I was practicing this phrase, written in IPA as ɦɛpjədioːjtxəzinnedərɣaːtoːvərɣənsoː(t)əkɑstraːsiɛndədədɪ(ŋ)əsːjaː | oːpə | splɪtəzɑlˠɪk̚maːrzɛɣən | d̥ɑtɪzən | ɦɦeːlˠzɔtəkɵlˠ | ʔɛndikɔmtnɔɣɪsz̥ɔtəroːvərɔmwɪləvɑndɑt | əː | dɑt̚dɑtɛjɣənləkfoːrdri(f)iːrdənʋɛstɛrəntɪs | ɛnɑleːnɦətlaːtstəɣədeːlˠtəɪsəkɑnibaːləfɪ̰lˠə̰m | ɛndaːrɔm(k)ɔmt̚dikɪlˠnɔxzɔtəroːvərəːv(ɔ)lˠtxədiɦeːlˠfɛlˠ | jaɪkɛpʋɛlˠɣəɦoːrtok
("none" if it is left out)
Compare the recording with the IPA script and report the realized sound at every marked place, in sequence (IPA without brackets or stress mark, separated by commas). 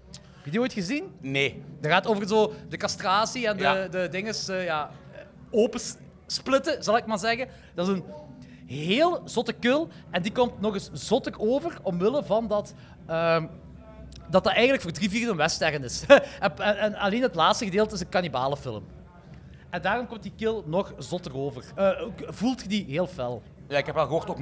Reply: d, ŋ, v, k, u